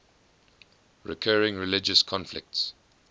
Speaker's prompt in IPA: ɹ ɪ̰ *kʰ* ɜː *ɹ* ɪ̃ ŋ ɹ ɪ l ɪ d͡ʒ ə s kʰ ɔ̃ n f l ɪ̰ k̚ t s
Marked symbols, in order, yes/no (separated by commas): yes, yes